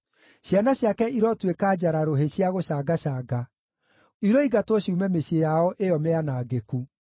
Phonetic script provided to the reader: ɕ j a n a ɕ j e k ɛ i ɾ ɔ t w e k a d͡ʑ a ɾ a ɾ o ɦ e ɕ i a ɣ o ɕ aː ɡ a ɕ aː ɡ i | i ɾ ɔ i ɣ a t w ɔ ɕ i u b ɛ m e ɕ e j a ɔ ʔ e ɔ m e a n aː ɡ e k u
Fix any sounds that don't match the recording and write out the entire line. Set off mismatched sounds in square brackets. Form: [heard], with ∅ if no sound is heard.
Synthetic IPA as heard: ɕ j a n a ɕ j [a] k ɛ i ɾ ɔ t w e k a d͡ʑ a ɾ a ɾ o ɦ e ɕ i a ɣ o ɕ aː ɡ a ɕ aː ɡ [a] | i ɾ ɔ i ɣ a t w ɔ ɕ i u [m] ɛ m e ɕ e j a ɔ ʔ e ɔ m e a n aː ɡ e k u